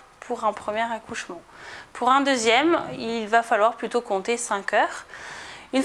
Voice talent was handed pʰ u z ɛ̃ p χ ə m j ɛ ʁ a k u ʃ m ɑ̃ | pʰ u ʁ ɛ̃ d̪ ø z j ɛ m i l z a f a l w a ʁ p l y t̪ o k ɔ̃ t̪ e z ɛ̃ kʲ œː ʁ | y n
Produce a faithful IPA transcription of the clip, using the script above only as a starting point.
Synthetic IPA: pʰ u ʁ ɛ̃ p χ ə m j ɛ ʁ a k u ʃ m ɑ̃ | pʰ u ʁ ɛ̃ d̪ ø z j ɛ m i l v a f a l w a ʁ p l y t̪ o k ɔ̃ t̪ e s ɛ̃ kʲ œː ʁ | y n